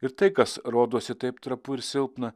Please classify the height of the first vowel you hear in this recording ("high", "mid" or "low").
high